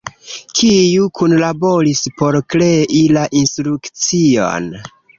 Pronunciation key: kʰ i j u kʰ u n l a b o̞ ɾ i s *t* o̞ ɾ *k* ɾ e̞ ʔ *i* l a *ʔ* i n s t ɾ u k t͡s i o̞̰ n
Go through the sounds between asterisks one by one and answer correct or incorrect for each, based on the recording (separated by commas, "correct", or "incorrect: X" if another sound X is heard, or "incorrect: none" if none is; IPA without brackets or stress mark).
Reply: incorrect: p, correct, correct, correct